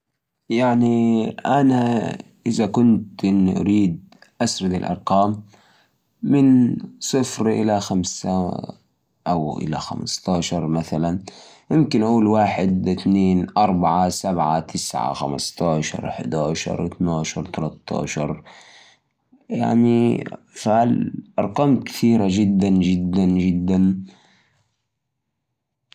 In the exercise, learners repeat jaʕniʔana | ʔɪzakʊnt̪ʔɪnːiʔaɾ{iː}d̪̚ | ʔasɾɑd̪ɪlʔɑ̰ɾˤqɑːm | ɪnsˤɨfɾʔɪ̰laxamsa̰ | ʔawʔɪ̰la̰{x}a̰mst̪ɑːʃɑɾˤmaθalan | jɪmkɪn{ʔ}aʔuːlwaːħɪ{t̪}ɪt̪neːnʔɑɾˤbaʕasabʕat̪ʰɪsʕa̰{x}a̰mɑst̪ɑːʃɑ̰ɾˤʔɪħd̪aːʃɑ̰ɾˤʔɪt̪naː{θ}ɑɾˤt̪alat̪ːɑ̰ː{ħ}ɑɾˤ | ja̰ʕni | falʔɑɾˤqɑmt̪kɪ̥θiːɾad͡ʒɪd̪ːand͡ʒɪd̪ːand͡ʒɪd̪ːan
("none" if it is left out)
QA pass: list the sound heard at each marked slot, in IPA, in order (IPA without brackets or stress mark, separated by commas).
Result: iː, x, ʔ, d̪, x, ʃ, ʃ